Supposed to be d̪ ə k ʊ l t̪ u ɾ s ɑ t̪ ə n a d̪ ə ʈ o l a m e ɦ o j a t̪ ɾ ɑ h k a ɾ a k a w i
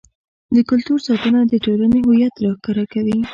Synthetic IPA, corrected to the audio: d̪ ə k ʊ l t̪ u ɾ s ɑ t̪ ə n a d̪ ə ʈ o l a n e ɦ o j a t̪ ɾ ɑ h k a ɾ a k a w i